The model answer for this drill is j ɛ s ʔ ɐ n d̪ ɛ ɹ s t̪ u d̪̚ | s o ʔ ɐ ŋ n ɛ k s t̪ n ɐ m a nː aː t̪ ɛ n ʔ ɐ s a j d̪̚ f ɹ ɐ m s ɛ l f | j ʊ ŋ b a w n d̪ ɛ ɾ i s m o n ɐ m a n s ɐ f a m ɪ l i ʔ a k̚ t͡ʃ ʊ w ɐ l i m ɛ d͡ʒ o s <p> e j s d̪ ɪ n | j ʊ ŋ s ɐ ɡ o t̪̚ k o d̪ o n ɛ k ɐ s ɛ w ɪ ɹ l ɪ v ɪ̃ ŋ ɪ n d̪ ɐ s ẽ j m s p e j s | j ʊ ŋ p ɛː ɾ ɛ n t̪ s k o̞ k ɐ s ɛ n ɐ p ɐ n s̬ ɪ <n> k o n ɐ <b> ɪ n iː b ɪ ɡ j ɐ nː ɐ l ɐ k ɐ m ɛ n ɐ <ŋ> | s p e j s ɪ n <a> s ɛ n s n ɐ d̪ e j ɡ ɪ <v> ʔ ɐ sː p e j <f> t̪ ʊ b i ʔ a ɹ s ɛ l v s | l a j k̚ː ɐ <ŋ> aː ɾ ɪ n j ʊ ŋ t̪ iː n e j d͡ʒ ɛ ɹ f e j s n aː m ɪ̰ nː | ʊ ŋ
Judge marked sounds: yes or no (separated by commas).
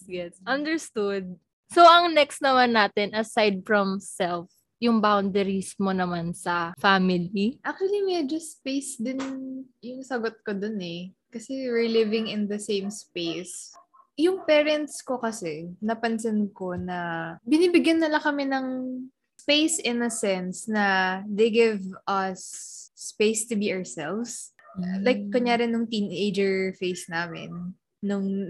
yes, yes, yes, yes, no, yes, no, no